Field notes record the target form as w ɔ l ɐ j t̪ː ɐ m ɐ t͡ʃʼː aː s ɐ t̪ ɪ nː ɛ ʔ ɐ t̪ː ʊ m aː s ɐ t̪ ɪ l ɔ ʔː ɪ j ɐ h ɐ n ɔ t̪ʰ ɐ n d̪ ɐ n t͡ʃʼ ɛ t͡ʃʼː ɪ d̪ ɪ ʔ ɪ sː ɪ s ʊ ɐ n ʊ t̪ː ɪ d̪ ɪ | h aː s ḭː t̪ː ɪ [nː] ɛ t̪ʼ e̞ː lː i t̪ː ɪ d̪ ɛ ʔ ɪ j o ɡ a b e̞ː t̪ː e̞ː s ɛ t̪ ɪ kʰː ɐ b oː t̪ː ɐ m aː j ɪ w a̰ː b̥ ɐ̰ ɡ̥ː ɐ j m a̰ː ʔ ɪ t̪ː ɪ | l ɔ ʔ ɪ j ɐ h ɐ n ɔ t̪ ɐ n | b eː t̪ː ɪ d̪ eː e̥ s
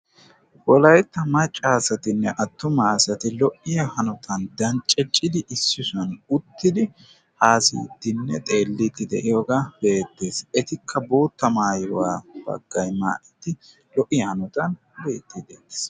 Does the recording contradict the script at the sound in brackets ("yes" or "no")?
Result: no